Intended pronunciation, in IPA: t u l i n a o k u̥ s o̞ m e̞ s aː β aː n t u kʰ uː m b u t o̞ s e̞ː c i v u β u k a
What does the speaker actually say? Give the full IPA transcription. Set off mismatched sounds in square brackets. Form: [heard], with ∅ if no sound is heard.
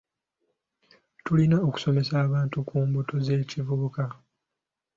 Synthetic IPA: t u l i n a o k u̥ s o̞ m e̞ s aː β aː n t u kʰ uː m b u t o̞ [z] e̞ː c i v u β u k a